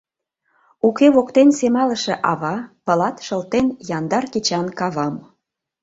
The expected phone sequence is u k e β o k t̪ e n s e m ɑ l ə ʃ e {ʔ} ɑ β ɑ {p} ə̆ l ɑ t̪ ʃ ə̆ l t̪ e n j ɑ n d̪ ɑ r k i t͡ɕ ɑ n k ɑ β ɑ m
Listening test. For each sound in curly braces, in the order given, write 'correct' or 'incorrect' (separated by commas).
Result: correct, correct